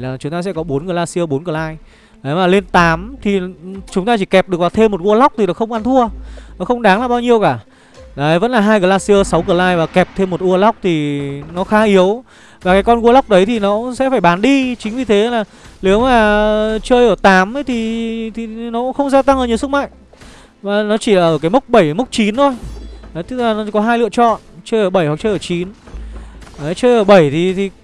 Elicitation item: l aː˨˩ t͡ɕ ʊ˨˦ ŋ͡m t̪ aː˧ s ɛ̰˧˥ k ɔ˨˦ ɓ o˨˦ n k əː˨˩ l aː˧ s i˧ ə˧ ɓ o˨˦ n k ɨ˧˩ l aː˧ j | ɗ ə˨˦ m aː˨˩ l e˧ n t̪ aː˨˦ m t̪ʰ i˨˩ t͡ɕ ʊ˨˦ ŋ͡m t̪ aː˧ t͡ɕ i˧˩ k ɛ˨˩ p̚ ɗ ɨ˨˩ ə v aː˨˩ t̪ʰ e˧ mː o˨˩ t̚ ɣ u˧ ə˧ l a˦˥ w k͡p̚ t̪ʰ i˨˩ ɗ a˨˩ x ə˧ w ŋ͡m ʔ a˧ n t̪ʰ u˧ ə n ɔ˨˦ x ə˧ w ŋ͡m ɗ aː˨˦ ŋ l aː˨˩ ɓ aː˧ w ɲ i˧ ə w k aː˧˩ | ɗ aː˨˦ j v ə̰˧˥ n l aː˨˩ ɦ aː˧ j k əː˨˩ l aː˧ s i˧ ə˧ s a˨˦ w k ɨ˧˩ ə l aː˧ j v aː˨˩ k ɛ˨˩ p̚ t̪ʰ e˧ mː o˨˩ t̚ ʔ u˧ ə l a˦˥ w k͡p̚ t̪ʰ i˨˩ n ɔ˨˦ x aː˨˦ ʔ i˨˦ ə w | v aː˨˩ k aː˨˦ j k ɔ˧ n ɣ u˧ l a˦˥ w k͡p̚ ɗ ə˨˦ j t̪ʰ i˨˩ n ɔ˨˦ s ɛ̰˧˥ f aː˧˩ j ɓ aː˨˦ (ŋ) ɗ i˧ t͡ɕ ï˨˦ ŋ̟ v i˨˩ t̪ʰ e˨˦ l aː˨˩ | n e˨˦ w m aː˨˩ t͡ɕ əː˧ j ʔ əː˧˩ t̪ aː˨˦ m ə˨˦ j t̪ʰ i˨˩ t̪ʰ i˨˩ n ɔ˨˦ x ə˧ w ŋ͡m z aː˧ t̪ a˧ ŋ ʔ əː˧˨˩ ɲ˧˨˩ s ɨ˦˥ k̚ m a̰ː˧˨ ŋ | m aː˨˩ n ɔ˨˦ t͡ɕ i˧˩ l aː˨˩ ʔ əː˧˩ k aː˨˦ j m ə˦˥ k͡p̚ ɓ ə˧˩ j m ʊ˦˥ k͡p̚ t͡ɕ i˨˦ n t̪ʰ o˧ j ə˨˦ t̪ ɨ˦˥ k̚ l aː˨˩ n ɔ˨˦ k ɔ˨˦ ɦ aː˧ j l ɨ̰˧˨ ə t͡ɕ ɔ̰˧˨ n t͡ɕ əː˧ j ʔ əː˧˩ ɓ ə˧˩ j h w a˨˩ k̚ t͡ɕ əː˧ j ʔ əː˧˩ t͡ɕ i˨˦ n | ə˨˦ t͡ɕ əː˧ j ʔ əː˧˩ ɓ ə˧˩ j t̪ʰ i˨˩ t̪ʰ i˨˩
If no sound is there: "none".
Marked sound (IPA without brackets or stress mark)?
n